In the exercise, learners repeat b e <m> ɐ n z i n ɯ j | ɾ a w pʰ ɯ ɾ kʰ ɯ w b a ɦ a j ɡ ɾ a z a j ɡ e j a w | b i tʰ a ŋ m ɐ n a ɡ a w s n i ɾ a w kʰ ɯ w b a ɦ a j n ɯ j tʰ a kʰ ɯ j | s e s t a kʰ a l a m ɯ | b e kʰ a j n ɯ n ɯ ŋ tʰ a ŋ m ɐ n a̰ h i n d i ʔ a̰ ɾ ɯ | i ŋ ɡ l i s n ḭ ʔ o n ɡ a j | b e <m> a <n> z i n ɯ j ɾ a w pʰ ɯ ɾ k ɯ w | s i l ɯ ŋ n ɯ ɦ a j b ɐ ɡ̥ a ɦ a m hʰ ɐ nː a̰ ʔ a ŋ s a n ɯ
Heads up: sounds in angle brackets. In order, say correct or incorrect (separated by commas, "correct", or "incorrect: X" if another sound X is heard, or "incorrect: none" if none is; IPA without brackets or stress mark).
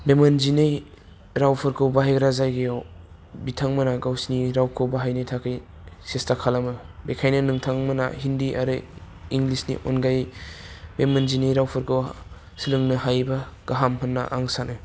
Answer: correct, correct, correct